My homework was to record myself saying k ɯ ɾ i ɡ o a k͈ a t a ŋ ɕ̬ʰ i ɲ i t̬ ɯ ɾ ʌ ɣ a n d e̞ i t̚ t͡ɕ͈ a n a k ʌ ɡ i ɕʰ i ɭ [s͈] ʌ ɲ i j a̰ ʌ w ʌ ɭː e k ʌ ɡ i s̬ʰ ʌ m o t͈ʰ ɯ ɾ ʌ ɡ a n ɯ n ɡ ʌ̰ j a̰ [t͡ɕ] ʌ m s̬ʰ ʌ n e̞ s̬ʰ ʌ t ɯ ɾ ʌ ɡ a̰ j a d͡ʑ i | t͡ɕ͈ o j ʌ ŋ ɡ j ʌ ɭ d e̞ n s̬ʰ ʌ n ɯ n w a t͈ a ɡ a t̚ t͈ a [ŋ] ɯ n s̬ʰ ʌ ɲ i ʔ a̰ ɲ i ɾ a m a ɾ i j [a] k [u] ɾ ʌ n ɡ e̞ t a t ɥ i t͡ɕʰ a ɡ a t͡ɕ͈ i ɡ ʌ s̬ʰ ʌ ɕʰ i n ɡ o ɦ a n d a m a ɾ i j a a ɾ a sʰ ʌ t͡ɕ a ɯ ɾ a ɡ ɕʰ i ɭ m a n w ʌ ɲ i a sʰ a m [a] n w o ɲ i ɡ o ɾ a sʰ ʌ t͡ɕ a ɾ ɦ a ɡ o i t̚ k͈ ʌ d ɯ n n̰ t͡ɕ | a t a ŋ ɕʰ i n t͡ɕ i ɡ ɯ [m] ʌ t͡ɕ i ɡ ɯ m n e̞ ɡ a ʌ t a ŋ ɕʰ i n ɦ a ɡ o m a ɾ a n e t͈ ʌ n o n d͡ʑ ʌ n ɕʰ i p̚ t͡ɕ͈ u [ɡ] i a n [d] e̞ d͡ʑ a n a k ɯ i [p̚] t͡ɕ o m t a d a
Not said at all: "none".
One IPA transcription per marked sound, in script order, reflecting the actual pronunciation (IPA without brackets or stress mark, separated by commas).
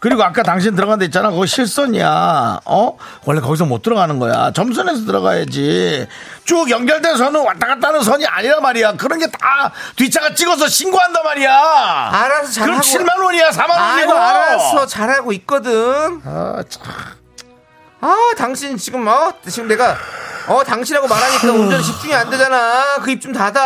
s͈, t͡ɕ, n, a, ɯ, a, m, ŋ, d, p̚